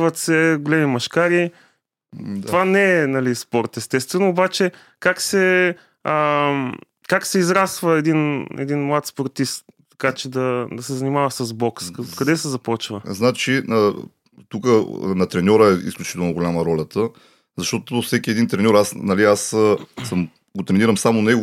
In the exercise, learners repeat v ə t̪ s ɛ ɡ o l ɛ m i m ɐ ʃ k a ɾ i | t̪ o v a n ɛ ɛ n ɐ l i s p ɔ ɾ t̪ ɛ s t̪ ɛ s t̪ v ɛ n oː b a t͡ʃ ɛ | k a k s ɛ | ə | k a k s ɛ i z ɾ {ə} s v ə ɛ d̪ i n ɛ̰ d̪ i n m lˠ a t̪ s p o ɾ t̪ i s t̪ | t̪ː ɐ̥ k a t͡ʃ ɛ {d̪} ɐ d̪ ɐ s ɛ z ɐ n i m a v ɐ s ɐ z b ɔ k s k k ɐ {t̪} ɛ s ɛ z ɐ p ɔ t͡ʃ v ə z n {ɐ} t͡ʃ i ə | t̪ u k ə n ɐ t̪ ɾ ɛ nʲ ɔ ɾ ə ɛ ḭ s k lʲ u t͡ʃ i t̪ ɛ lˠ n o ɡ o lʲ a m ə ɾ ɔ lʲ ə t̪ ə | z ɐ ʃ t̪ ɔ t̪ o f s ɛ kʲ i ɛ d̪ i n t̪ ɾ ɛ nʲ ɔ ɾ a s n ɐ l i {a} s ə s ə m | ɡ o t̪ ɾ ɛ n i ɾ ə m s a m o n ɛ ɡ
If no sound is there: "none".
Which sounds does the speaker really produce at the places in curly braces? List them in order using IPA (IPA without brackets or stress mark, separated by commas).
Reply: a, d̪, d̪, a, a